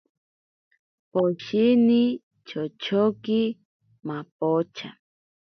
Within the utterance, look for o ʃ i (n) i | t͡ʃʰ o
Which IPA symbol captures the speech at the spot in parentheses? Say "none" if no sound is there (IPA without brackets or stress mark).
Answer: n